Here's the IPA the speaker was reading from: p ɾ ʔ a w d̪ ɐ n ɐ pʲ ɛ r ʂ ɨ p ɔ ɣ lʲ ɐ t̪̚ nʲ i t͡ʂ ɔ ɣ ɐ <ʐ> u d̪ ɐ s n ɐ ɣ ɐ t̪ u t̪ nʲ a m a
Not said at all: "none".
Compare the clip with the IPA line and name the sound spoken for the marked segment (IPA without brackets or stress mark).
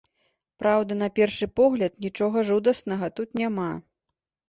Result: ʐ